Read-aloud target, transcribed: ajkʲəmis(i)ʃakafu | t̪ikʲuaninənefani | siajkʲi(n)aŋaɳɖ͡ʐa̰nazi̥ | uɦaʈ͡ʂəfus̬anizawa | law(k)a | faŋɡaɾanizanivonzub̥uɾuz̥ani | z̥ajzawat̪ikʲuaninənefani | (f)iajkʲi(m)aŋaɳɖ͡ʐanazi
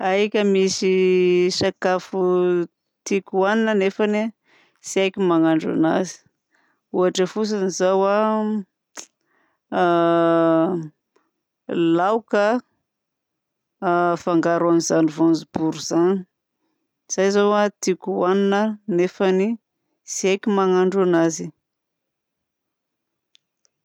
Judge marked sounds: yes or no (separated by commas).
yes, no, yes, no, yes